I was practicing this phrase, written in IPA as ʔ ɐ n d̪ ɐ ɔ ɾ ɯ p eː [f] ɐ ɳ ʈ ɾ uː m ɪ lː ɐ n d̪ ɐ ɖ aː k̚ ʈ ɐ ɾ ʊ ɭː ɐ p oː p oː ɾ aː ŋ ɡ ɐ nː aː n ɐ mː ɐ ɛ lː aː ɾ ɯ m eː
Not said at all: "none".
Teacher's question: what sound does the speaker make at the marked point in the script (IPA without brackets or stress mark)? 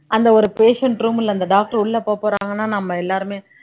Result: ʂ